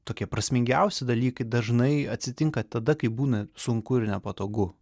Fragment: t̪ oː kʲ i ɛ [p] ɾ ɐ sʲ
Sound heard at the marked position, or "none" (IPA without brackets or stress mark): p